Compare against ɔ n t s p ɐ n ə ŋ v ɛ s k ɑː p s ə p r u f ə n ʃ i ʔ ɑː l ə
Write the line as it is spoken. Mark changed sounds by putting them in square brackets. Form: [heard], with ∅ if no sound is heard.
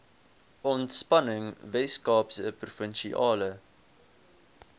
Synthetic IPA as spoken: ɔ n t s p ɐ n ə ŋ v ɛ s k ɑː p s ə p r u f ə n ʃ i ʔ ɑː l ə